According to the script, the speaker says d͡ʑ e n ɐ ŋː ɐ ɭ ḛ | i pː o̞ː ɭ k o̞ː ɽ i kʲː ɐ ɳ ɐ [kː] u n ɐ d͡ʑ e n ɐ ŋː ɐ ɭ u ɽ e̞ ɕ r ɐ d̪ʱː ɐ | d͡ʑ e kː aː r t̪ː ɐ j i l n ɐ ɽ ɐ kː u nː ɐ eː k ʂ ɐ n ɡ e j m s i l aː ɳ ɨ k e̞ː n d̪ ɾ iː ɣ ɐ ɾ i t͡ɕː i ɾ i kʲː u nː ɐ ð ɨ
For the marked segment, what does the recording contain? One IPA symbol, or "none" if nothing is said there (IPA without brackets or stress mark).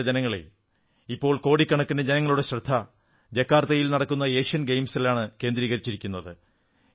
kː